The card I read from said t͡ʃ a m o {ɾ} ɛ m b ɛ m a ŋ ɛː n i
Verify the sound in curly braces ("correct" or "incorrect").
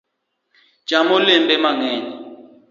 incorrect